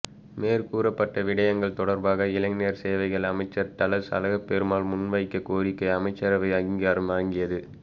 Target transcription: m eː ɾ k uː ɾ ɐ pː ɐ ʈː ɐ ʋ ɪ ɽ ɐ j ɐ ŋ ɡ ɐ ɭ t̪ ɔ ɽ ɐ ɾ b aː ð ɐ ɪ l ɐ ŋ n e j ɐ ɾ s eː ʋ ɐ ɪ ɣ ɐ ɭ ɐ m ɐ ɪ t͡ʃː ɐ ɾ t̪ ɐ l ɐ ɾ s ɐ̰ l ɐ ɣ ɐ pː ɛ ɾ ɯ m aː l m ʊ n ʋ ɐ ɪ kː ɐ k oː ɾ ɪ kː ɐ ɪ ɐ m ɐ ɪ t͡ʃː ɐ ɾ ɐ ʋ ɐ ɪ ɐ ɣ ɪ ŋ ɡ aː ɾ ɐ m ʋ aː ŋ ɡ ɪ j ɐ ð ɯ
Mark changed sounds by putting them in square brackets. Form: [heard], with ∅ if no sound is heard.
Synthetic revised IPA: m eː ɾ k uː ɾ ɐ pː ɐ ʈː ɐ ʋ ɪ ɽ ɐ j ɐ ŋ ɡ ɐ ɭ t̪ ɔ ɽ ɐ ɾ b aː [ɣ] ɐ ɪ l ɐ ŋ n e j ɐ ɾ s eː ʋ ɐ ɪ ɣ ɐ ɭ ɐ m ɐ ɪ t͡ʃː ɐ ɾ t̪ ɐ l ɐ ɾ s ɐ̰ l ɐ ɣ ɐ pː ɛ ɾ ɯ m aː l m ʊ n ʋ ɐ ɪ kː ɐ k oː ɾ ɪ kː ɐ ɪ ɐ m ɐ ɪ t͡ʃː ɐ ɾ ɐ ʋ ɐ ɪ ɐ ɣ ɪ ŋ ɡ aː ɾ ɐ m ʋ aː ŋ ɡ ɪ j ɐ ð ɯ